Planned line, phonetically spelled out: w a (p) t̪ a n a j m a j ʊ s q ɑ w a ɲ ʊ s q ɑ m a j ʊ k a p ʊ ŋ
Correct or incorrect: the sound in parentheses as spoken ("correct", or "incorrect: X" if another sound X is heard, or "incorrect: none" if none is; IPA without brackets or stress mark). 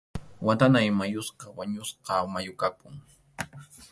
incorrect: none